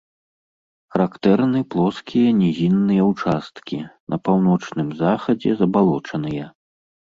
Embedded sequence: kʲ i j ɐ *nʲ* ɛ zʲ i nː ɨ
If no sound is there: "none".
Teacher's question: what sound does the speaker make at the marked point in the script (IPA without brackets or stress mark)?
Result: nʲ